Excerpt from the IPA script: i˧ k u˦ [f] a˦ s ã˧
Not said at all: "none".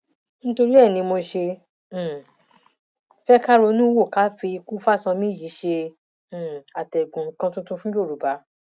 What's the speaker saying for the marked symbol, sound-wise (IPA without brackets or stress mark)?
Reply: f